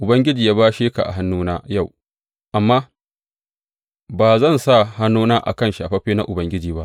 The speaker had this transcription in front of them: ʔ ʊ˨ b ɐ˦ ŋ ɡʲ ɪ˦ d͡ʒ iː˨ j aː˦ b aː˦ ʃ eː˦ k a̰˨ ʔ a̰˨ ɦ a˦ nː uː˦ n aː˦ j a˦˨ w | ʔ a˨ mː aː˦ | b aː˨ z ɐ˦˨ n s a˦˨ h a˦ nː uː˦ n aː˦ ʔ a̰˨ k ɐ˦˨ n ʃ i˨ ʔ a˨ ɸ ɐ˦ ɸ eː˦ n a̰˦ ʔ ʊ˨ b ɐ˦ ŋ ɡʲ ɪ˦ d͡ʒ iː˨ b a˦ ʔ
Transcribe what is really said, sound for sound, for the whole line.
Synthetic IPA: ʔ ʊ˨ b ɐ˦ ŋ ɡʲ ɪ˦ d͡ʒ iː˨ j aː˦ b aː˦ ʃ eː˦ k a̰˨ ʔ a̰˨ ɦ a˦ nː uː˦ n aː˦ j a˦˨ w | ʔ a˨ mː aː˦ | b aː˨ z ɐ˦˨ n s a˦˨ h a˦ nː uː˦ n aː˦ ʔ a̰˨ k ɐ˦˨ n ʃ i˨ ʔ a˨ ɸ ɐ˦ ɸ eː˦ n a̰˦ ʔ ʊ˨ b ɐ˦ ŋ ɡʲ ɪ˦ d͡ʒ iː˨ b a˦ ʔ